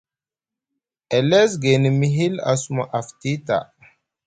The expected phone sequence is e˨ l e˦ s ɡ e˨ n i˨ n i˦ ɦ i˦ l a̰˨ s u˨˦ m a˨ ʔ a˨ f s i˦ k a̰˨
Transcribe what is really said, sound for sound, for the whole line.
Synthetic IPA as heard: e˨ l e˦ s ɡ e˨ n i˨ m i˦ ɦ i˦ l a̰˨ s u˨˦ m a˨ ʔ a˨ f t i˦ t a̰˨